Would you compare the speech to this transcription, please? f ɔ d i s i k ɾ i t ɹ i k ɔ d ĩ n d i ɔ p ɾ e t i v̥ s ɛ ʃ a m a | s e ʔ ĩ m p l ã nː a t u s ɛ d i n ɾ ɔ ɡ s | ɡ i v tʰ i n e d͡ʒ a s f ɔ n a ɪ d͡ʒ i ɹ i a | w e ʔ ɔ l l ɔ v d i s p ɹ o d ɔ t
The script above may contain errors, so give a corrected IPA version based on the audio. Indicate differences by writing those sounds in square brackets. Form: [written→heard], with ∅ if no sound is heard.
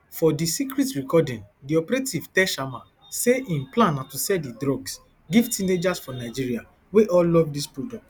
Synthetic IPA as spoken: f ɔ d i s i k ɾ i t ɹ i k ɔ d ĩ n d i ɔ p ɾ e t i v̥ [s→t] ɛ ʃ a m a | s e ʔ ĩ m p l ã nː a t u s ɛ d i [n→d] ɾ ɔ ɡ s | ɡ i v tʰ i n e d͡ʒ a s f ɔ n a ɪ d͡ʒ i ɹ i a | w e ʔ ɔ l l ɔ v d i s p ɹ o d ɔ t